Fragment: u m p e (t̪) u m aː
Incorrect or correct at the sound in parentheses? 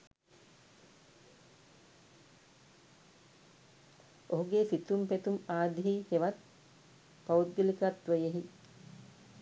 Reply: correct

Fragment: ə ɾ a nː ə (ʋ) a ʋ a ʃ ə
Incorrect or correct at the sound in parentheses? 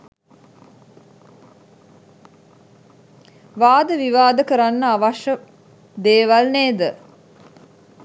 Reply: incorrect: none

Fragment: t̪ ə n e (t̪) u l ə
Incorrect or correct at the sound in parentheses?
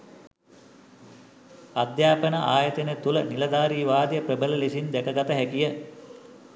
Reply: correct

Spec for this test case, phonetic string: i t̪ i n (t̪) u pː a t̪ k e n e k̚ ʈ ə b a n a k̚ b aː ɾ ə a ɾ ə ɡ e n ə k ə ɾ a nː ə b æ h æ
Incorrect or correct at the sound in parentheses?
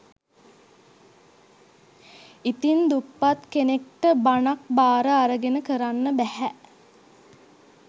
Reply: incorrect: d̪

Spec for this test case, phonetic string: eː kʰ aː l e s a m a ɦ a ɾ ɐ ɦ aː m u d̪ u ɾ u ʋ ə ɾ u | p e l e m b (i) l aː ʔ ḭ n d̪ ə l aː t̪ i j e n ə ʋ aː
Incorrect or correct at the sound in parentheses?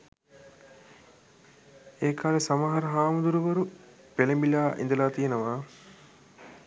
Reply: correct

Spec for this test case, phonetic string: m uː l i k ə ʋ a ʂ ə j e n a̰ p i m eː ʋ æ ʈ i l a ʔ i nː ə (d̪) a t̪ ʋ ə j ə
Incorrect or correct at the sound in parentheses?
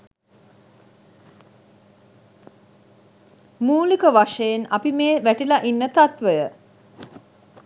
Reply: incorrect: t̪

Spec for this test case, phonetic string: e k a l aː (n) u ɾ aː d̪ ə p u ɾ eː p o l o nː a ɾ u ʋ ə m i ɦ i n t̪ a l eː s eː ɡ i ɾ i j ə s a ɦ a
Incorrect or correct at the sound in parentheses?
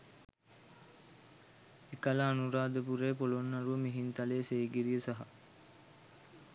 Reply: correct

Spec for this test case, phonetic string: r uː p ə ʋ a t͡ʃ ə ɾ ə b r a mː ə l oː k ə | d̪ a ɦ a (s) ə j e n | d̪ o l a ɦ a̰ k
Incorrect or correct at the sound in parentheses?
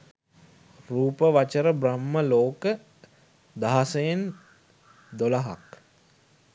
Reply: correct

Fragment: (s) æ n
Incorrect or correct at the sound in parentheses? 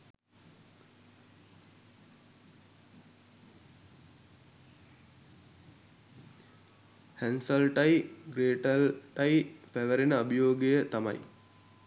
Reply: incorrect: h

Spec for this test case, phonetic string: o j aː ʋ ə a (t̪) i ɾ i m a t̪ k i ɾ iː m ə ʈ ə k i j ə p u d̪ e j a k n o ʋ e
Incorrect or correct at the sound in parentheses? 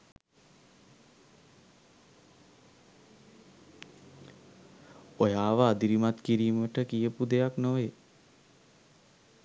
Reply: incorrect: d̪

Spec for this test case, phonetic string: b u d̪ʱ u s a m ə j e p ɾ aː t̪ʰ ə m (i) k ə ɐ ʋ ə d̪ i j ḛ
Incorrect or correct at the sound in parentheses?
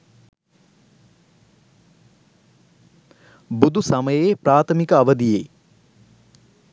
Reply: correct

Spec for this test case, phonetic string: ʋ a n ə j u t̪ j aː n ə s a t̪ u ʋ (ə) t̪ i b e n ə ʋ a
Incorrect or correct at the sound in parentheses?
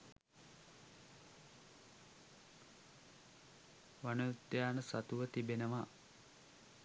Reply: correct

